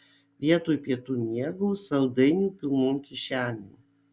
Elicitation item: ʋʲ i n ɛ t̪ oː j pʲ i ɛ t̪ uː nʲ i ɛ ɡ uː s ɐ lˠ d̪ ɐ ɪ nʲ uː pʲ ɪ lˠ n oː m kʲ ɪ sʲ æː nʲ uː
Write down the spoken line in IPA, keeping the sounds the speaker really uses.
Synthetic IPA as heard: ʋʲ i ɛ t̪ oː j pʲ i ɛ t̪ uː nʲ i ɛ ɡ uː s ɐ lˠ d̪ ɐ ɪ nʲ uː pʲ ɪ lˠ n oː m kʲ ɪ ʃʲ æː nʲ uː